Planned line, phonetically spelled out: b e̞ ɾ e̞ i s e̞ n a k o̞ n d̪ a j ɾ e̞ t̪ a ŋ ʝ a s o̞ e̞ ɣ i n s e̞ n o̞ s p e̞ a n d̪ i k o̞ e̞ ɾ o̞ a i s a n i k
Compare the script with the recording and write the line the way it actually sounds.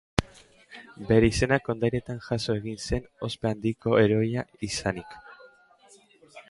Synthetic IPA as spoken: b e̞ ɾ e̞ i s e̞ n a k o̞ n d̪ a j ɾ e̞ t̪ a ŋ ʝ a s o̞ e̞ ɣ i n s e̞ n o̞ s p e̞ a n d̪ i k o̞ e̞ ɾ o̞ a i s a n i k